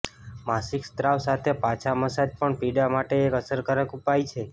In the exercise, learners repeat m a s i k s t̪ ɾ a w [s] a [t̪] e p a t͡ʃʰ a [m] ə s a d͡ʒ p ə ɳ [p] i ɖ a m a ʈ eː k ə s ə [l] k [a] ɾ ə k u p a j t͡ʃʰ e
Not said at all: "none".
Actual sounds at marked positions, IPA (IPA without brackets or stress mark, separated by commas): s, t̪ʰ, m, p, ɾ, ə